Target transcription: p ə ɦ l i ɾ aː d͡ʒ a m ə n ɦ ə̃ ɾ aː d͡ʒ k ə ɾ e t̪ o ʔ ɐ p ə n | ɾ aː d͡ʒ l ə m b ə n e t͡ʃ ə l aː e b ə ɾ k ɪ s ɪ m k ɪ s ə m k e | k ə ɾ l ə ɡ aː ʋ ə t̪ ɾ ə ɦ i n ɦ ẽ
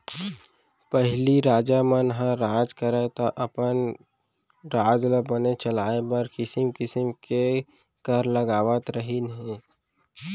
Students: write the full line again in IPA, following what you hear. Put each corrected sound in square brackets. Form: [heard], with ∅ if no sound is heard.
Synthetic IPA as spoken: p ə ɦ l i ɾ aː d͡ʒ a m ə n ɦ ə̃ ɾ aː d͡ʒ k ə ɾ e t̪ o ʔ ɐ p ə n | ɾ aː d͡ʒ l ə [∅] b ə n e t͡ʃ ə l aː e b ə ɾ k ɪ s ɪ m k ɪ s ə m k e | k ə ɾ l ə ɡ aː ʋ ə t̪ ɾ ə ɦ i n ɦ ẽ